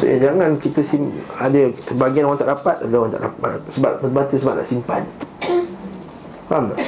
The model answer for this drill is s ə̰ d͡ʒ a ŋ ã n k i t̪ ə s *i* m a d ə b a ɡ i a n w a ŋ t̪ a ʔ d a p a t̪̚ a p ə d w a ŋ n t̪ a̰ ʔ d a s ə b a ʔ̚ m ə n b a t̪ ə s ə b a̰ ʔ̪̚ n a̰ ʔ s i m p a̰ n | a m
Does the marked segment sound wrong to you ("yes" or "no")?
no